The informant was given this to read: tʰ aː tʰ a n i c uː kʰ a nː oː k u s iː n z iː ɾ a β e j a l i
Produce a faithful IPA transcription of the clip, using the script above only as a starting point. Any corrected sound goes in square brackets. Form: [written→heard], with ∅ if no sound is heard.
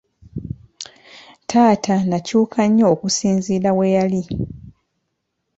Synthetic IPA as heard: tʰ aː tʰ a n [i→a] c uː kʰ a [nː→ɲː] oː k u s iː n z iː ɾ a [β→w] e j a l i